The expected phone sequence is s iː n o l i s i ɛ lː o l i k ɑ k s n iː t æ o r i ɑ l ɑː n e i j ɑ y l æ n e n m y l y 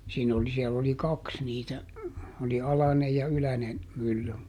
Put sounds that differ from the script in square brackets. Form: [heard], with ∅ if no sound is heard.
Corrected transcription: s iː n o l i s i ɛ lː o l i k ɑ k s n iː t æ o [l] i ɑ l [ɑ] n e [j] j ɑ y l æ n e n m y [lː] y